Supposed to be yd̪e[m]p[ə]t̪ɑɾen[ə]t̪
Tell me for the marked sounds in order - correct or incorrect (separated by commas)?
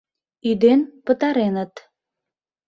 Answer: incorrect, correct, correct